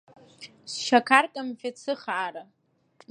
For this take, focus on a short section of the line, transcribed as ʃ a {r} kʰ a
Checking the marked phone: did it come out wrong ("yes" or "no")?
yes